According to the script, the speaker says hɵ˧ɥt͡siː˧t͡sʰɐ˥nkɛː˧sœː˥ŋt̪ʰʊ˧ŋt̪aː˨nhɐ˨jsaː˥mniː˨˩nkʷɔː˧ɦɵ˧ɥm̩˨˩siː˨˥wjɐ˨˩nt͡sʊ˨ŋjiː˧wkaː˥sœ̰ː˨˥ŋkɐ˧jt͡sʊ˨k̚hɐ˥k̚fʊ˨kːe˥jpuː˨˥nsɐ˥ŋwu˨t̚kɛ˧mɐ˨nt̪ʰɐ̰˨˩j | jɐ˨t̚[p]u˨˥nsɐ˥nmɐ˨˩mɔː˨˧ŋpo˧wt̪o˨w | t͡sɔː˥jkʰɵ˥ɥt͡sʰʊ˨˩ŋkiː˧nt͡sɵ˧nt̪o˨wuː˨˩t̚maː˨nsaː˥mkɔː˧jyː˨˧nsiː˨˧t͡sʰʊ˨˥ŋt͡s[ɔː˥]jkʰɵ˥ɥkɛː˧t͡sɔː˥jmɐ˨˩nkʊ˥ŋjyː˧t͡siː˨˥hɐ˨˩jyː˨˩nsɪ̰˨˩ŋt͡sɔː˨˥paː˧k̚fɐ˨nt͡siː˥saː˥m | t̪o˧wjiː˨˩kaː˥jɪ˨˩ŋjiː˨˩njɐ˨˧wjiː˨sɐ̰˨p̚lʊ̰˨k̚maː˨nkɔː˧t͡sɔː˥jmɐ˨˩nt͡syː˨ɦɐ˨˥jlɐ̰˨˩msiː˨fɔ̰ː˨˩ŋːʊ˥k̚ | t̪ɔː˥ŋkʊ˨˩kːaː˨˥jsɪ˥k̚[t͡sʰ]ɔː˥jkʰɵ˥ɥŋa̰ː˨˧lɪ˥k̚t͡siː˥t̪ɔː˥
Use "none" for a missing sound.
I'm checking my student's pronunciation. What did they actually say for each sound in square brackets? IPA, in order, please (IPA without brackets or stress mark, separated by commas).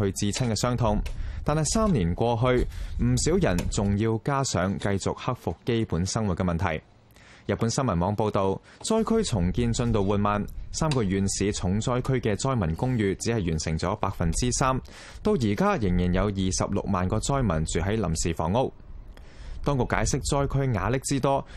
p, ɔː˥, t͡s